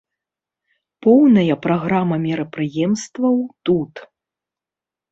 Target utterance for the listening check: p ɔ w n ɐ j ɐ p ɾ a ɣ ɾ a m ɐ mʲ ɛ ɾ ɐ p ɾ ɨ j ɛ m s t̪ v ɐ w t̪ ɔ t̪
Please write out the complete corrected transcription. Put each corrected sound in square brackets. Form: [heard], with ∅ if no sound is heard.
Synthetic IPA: p ɔ w n ɐ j ɐ p ɾ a ɣ ɾ a m ɐ mʲ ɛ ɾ ɐ p ɾ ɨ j ɛ m s t̪ v ɐ w t̪ [u] t̪